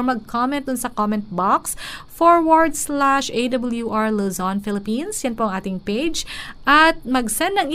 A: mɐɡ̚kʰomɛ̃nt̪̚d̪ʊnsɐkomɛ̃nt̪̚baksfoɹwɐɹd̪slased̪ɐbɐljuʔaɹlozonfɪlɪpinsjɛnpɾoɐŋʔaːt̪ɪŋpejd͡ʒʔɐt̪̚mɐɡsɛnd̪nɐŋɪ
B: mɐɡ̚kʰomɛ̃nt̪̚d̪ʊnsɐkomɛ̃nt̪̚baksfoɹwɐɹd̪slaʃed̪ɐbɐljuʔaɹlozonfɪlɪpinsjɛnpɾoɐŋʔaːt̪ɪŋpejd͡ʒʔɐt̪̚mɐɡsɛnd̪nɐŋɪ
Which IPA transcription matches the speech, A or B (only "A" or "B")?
B